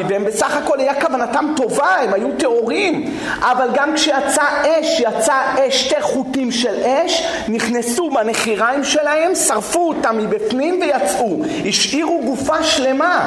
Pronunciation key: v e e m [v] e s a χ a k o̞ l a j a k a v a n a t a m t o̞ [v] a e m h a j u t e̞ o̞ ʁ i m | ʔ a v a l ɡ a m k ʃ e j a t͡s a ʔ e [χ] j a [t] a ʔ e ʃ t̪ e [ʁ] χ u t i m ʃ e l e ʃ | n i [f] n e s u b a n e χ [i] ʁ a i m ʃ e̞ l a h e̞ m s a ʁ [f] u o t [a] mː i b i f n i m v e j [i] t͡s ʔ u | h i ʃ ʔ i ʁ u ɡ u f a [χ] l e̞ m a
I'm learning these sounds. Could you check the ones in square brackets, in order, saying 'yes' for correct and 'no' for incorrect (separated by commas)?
no, yes, no, no, yes, no, yes, yes, yes, no, no